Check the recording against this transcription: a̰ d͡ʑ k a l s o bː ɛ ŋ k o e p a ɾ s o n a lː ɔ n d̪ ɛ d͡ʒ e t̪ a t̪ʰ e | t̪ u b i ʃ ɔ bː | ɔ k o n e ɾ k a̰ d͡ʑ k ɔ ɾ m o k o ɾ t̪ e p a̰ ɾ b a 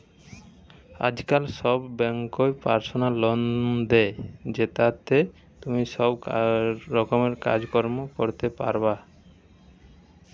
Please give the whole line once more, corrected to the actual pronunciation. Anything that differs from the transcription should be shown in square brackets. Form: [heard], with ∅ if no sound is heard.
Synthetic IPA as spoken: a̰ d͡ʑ k a l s [ɔ] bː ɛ ŋ k o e p a ɾ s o n a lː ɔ n d̪ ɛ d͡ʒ e t̪ a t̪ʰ e | t̪ u [m] i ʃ ɔ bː | ɔ k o [m] e ɾ k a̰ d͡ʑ k ɔ ɾ m o k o ɾ t̪ e p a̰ ɾ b a

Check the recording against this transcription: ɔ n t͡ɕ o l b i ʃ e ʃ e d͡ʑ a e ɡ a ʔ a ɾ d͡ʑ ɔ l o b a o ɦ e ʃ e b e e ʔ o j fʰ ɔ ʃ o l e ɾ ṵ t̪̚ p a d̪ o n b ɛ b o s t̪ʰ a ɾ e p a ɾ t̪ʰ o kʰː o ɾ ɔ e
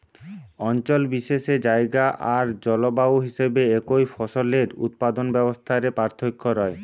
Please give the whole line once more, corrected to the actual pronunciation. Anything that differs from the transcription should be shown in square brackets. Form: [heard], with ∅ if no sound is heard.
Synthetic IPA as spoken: ɔ n t͡ɕ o l b i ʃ e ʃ e d͡ʑ a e ɡ a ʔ a ɾ d͡ʑ ɔ l o b a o ɦ [i] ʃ e b e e [k] o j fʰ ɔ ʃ o l e ɾ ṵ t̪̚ p a d̪ o n b ɛ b o s t̪ʰ a ɾ e p a ɾ t̪ʰ o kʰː o ɾ ɔ e

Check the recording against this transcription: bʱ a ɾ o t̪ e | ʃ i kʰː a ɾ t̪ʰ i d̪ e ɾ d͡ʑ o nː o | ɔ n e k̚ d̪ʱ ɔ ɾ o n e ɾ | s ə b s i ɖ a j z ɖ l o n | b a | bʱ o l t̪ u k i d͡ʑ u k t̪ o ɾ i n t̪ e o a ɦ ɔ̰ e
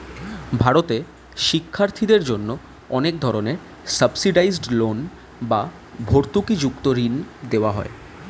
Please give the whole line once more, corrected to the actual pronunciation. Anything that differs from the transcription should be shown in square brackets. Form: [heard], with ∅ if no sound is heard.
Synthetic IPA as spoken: bʱ a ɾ o t̪ e | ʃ i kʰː a ɾ t̪ʰ i d̪ e ɾ d͡ʑ o nː o | ɔ n e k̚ d̪ʱ ɔ ɾ o n e ɾ | s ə b s i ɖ a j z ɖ l o n | b a | bʱ o [ɾ] t̪ u k i d͡ʑ u k t̪ o ɾ i n [d̪] e o a ɦ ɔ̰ e

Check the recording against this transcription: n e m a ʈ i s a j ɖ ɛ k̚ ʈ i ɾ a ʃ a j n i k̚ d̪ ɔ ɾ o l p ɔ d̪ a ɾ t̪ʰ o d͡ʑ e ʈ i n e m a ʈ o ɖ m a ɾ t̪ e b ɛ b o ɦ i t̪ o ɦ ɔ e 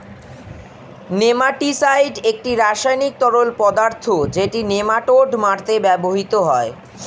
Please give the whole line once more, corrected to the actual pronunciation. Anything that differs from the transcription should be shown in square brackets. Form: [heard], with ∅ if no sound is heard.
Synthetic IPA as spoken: n e m a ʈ i s a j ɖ [e] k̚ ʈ i ɾ a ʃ a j n i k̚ [t̪] ɔ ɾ o l p ɔ d̪ a ɾ t̪ʰ o d͡ʑ e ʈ i n e m a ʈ o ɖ m a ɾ t̪ e b ɛ b o ɦ i t̪ o ɦ ɔ e

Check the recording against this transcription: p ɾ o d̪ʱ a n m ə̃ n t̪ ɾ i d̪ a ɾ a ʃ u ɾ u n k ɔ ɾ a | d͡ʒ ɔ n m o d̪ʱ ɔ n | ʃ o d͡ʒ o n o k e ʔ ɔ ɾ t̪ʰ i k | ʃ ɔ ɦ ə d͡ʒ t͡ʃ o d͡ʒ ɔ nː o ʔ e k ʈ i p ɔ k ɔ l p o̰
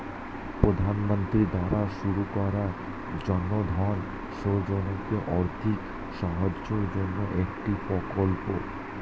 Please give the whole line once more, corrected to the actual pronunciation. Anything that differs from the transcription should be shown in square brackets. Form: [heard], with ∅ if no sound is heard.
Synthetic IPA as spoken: p ɾ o d̪ʱ a n m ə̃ n t̪ ɾ i d̪ a ɾ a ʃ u ɾ u [∅] k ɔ ɾ a | d͡ʒ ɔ n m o d̪ʱ ɔ n | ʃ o d͡ʒ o n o k e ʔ ɔ ɾ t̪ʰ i k | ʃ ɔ ɦ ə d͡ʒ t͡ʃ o d͡ʒ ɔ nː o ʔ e k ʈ i p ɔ k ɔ l p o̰

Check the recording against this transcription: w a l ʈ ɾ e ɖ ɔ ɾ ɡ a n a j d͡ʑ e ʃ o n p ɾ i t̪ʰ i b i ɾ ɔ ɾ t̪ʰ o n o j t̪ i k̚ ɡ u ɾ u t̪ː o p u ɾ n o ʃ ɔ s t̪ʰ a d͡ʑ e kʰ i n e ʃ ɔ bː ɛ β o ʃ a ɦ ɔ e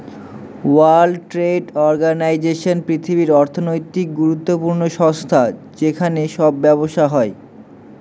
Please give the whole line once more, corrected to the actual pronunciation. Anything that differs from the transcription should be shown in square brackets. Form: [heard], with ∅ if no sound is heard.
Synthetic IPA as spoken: w a l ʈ ɾ e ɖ ɔ ɾ ɡ a n a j d͡ʑ e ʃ o n p ɾ i t̪ʰ i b i ɾ ɔ ɾ t̪ʰ o n o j t̪ i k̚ ɡ u ɾ u t̪ː o p u ɾ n o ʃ ɔ s t̪ʰ a d͡ʑ e kʰ [a] n e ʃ ɔ bː ɛ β o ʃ a ɦ ɔ e

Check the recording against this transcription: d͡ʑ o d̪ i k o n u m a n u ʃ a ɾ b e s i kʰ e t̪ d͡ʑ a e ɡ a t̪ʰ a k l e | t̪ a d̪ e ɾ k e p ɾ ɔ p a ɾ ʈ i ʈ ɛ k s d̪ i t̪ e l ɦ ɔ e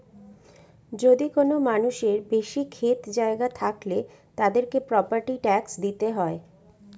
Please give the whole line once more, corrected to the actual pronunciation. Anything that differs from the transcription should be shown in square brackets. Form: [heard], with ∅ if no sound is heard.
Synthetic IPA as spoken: d͡ʑ o d̪ i k o n [o] m a n u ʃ [e] ɾ b e [ʃ] i kʰ e t̪ d͡ʑ a e ɡ a t̪ʰ a k l e | t̪ a d̪ e ɾ k e p ɾ ɔ p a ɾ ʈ i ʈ ɛ k s d̪ i t̪ e [∅] ɦ ɔ e

